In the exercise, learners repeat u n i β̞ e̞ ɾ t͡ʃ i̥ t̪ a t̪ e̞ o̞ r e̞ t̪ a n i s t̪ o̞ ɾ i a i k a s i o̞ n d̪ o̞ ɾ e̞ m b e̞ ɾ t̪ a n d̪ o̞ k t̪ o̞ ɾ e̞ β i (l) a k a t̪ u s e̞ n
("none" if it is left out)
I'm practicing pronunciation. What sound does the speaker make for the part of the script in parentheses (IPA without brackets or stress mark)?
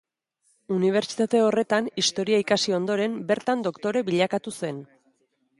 ʎ